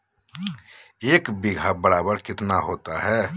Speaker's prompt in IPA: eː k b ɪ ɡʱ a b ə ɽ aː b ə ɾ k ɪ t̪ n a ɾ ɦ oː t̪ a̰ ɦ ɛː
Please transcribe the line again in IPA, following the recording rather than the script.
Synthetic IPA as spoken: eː k b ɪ ɡʱ a b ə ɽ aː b ə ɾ k ɪ t̪ n a ɦ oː t̪ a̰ ɦ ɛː